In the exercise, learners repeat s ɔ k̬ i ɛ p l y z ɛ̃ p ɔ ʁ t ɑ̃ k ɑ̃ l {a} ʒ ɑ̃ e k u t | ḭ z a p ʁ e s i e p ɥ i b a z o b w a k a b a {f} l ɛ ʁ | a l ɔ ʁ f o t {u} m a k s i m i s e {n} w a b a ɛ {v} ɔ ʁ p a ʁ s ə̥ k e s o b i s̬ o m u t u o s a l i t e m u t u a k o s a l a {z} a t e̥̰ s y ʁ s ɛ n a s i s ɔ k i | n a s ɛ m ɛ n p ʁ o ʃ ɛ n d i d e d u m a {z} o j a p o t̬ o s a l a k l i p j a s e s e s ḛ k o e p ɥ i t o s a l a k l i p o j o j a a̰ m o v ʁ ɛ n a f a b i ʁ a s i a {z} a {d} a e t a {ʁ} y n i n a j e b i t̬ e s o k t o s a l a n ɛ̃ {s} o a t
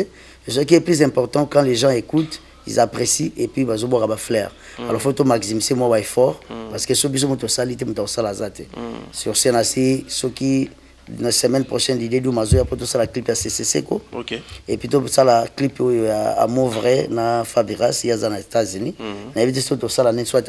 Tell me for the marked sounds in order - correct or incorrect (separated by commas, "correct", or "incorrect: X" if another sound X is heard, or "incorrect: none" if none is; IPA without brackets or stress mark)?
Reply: incorrect: e, correct, incorrect: o, incorrect: m, incorrect: f, correct, correct, correct, incorrect: n, incorrect: z, correct